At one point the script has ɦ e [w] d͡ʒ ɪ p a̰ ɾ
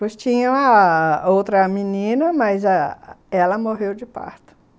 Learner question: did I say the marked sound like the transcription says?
yes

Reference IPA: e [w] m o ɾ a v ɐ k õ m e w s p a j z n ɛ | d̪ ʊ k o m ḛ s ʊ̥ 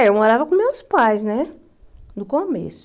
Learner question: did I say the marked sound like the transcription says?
yes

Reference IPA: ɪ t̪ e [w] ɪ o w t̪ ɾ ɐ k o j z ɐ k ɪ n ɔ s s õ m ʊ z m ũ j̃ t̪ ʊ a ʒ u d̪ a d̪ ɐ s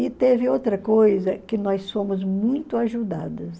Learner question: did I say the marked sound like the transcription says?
no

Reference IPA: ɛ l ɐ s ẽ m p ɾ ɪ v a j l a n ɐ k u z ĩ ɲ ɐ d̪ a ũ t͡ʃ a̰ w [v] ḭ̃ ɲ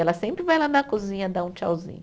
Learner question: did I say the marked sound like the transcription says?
no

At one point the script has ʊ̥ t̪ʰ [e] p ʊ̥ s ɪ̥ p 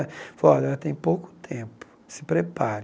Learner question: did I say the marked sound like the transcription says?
no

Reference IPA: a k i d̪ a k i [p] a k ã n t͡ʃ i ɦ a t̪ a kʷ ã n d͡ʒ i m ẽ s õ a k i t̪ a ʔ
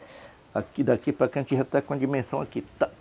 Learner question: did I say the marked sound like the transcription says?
yes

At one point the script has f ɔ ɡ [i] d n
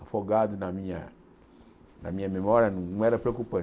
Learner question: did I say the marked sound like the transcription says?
no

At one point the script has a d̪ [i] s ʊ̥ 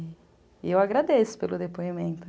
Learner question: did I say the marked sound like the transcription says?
no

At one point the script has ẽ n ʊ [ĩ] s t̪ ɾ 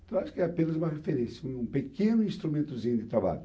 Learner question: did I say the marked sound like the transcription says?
yes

